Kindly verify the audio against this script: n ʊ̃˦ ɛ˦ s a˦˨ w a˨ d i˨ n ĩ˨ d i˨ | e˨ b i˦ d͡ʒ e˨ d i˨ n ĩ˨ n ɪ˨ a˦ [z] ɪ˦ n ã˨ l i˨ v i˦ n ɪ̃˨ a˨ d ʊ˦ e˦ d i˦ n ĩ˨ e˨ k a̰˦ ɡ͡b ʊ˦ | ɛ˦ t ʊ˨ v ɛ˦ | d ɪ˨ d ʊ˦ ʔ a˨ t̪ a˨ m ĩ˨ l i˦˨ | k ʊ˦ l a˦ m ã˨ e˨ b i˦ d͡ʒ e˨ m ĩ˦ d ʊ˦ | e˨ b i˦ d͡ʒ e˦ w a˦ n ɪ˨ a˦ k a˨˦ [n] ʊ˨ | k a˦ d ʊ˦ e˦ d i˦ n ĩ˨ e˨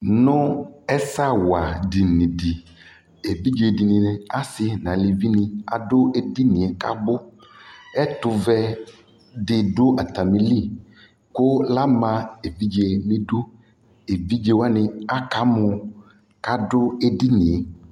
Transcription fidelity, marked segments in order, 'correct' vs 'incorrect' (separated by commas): incorrect, incorrect